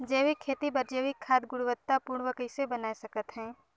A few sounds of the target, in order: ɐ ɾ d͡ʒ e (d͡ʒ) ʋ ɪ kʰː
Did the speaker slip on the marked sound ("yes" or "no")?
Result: yes